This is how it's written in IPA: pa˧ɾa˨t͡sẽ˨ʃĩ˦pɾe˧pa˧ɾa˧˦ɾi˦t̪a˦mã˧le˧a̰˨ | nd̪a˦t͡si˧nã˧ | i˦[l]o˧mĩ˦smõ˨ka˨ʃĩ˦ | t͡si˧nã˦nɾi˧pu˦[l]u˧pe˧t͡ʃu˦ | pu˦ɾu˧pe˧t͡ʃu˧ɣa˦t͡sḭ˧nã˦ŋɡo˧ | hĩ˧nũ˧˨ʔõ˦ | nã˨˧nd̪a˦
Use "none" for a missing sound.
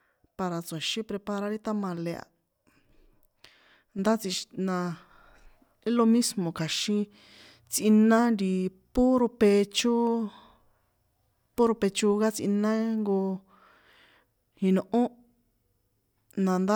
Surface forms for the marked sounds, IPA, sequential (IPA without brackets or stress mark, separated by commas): l, ɾ